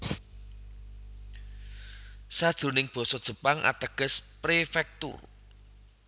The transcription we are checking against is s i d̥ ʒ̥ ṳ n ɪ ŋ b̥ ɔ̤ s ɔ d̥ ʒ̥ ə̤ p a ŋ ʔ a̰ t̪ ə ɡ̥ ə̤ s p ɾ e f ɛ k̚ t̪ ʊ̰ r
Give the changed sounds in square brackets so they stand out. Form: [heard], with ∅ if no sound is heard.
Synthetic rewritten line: s [a] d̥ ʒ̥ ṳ n ɪ ŋ b̥ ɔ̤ s ɔ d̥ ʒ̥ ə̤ p a ŋ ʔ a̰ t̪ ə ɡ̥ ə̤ s p ɾ e f ɛ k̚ t̪ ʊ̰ r